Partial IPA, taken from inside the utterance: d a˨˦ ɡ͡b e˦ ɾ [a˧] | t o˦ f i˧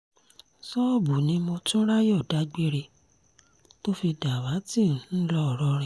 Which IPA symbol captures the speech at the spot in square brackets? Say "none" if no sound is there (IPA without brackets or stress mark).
e˧